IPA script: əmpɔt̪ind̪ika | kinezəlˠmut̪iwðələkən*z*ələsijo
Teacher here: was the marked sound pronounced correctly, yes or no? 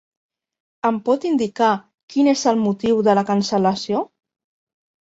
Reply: no